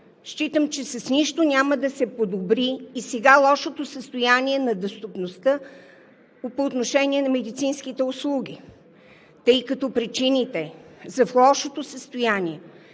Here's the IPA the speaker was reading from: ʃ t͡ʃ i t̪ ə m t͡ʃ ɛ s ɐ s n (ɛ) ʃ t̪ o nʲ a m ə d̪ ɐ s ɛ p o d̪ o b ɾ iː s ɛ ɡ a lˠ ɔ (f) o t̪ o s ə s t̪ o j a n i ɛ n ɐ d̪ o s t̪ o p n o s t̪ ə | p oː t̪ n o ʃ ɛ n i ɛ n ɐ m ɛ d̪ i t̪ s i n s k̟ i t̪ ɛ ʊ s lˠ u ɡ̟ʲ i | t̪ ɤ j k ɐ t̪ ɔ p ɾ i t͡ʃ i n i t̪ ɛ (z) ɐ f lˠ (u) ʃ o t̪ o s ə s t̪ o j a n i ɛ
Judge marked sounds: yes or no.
no, no, yes, no

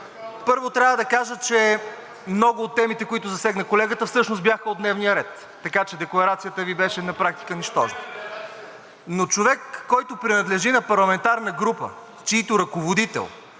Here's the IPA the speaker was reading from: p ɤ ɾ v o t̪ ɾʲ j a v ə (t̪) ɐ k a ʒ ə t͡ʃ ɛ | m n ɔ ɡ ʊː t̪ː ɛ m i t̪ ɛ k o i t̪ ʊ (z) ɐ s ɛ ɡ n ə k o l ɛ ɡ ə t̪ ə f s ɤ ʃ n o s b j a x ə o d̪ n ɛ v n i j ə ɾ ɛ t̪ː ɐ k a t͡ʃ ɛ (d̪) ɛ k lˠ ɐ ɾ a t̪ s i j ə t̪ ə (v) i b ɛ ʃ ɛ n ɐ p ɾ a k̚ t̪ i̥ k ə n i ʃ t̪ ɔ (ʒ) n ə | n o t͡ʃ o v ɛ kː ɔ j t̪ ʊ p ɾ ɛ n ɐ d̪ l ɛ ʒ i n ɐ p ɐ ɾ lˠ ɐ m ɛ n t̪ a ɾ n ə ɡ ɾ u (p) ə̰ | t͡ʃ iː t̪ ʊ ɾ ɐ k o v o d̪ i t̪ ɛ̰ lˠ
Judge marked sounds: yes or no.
no, yes, yes, yes, yes, yes

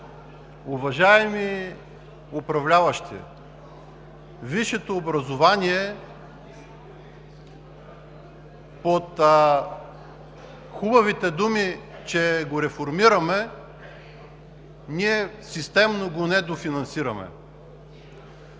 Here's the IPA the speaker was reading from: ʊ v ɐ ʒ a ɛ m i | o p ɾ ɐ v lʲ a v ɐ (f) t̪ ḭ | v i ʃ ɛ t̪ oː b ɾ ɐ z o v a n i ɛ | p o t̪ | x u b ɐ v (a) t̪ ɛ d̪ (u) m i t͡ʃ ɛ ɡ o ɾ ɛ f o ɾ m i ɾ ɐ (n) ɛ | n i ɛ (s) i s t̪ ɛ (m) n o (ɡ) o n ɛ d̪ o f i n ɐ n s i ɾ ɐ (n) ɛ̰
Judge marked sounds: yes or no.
no, no, yes, no, yes, yes, yes, no

